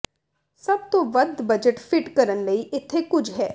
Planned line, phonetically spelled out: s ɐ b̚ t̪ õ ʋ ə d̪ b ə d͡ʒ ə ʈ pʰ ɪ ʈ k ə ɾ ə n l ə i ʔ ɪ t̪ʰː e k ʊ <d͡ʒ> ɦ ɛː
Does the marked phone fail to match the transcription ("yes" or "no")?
no